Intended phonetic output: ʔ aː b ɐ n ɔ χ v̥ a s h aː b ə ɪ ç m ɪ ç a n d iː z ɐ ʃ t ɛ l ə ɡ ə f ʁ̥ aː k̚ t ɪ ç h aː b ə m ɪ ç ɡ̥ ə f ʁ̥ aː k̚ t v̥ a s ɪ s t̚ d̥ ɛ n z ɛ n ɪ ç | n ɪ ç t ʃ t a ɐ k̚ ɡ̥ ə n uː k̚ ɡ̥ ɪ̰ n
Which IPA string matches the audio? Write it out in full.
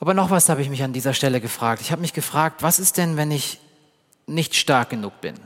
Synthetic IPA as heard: ʔ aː b ɐ n ɔ χ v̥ a s h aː b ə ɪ ç m ɪ ç a n d iː z ɐ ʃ t ɛ l ə ɡ ə f ʁ̥ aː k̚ t ɪ ç h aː b ə m ɪ ç ɡ̥ ə f ʁ̥ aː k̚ t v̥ a s ɪ s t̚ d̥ ɛ n v ɛ n ɪ ç | n ɪ ç t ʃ t a ɐ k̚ ɡ̥ ə n uː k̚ b̥ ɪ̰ n